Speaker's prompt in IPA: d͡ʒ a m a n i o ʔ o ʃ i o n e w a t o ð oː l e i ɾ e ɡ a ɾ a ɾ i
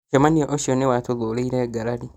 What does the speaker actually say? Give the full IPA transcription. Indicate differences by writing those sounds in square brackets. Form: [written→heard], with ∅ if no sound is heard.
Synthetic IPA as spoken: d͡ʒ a m a n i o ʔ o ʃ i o n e w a t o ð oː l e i ɾ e ɡ a ɾ a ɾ i